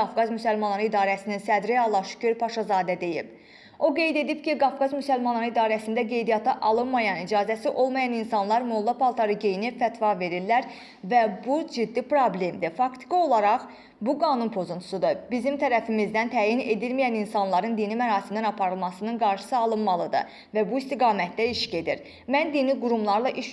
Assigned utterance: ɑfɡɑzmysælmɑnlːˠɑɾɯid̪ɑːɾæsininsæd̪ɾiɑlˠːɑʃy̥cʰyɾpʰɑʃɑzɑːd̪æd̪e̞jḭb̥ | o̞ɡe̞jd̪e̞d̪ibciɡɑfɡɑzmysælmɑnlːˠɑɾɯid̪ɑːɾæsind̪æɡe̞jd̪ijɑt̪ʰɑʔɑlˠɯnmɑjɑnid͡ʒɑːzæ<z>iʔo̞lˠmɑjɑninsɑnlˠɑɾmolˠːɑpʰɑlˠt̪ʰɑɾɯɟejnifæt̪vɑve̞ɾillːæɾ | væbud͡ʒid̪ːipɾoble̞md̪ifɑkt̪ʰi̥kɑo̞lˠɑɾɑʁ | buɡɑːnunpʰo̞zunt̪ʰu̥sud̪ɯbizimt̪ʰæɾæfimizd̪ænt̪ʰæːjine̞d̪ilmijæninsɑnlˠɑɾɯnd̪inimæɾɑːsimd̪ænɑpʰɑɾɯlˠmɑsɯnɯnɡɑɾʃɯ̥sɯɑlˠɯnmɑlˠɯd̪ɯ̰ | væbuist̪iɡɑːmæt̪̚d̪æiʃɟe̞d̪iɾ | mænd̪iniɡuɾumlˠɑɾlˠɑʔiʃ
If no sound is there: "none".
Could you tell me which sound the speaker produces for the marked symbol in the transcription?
s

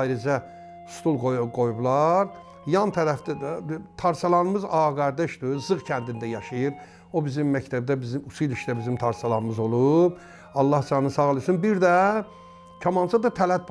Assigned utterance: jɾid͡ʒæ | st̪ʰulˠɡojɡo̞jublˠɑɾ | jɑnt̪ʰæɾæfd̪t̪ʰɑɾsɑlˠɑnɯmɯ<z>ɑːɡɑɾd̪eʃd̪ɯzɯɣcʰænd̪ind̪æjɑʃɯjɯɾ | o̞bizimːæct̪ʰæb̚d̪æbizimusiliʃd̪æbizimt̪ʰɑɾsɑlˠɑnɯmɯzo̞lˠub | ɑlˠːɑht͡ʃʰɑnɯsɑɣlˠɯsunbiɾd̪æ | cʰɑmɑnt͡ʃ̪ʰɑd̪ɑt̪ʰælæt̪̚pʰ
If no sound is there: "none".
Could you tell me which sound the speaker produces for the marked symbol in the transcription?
z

